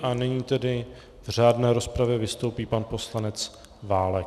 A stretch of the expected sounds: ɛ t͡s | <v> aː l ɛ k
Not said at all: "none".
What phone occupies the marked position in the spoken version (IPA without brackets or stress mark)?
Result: v